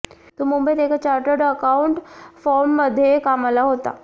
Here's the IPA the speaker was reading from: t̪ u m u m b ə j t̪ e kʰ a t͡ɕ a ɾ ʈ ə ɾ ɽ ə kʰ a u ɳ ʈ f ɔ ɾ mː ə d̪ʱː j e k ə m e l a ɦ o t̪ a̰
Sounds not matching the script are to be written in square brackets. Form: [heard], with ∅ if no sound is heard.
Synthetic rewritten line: t̪ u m u m b ə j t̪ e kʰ a t͡ɕ a ɾ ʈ ə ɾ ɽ ə [k] a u ɳ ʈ f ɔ ɾ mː ə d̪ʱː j e k [a] m [a] l a ɦ o t̪ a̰